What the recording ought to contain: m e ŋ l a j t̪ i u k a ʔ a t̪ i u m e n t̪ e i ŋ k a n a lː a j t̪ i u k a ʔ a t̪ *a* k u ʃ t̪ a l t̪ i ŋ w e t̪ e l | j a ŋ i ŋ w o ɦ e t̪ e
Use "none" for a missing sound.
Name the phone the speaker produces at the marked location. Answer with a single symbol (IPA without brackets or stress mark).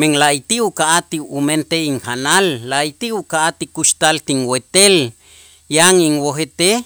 i